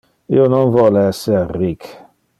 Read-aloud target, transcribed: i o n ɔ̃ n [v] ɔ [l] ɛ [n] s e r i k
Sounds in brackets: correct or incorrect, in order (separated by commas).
correct, correct, incorrect